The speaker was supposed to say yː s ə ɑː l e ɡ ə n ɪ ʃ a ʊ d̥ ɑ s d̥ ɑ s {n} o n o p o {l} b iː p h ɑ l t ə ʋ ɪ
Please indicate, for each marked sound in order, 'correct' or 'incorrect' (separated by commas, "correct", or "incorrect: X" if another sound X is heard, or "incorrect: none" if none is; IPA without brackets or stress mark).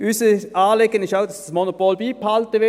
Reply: incorrect: m, correct